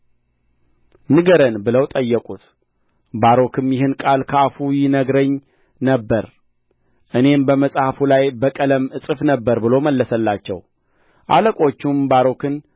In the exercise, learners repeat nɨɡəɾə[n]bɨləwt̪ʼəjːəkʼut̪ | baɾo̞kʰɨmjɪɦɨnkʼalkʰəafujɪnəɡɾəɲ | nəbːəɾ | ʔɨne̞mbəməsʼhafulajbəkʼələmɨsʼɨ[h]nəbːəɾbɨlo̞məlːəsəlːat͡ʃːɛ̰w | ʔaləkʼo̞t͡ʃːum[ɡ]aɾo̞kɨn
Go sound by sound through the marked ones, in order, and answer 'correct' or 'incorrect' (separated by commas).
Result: correct, incorrect, incorrect